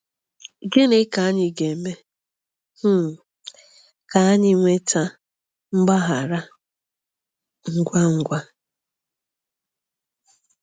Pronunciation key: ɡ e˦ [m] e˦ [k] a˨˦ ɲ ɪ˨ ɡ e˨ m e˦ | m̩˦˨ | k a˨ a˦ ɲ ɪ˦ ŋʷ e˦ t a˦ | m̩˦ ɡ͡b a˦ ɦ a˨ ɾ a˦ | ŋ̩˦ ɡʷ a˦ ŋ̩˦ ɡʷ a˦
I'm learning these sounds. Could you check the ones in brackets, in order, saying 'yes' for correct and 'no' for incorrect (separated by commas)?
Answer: no, yes